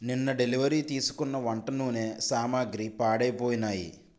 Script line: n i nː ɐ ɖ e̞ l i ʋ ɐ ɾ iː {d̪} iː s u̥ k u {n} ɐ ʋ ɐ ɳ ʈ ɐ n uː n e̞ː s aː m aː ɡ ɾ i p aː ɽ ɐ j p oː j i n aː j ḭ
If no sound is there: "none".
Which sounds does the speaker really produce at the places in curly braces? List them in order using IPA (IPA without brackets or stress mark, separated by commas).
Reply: t̪, nː